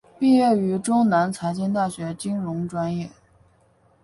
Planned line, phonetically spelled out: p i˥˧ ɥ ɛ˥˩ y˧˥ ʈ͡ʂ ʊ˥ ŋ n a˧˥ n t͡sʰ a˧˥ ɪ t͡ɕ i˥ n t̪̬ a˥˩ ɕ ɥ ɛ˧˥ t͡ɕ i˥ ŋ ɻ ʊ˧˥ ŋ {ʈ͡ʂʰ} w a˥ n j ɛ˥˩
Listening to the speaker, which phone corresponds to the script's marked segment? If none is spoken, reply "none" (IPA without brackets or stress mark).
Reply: ʈ͡ʂ